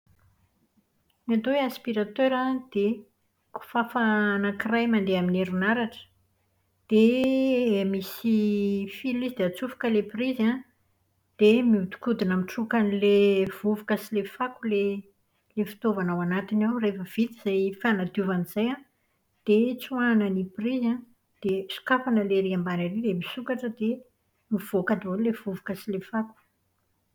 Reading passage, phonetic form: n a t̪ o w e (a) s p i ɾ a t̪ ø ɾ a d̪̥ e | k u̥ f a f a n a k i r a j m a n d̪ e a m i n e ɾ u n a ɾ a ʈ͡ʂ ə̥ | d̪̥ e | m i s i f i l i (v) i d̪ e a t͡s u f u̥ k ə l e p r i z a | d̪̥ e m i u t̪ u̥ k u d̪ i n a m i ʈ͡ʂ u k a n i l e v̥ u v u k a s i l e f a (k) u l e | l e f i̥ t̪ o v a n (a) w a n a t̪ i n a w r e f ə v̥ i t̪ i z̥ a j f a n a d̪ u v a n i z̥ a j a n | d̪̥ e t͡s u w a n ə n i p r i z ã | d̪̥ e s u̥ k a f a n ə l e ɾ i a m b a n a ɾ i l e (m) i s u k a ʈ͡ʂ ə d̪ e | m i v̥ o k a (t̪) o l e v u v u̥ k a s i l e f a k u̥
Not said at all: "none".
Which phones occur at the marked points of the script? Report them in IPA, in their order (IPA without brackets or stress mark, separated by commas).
a, z, k, a, m, d̪